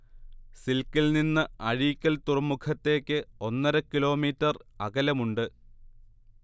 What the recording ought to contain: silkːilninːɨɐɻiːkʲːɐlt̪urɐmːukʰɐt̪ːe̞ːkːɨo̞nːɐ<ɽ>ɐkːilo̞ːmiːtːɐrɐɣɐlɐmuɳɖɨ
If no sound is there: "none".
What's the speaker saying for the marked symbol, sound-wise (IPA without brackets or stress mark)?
ɾ